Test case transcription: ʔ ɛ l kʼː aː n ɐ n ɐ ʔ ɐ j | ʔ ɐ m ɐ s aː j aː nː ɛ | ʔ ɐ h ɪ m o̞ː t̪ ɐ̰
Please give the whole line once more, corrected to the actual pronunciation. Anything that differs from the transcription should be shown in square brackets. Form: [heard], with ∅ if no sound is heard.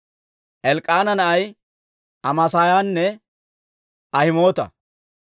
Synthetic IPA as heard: ʔ ɛ l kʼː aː n ɐ n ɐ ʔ ɐ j | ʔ ɐ m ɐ s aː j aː nː ɛ | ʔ ɐ h ɪ m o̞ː t̪ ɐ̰